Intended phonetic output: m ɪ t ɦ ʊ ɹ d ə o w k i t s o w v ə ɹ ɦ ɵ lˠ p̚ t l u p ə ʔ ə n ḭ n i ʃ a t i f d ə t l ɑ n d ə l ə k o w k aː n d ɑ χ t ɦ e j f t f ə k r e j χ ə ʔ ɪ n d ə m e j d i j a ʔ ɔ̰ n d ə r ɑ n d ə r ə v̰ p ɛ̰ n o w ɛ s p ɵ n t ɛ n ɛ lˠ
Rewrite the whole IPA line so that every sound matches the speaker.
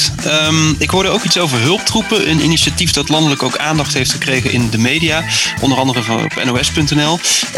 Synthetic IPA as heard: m ɪ k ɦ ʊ ɹ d ə o w k i t s o w v ə ɹ ɦ ɵ lˠ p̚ t r u p ə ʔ ə n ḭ n i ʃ a t i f d ɑ t l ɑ n d ə l ə k o w k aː n d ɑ χ t ɦ e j f t χ ə k r e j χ ə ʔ ɪ n d ə m e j d i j a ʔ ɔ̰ n d ə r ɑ n d ə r ə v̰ p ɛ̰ n o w ɛ s p ɵ n t ɛ n ɛ lˠ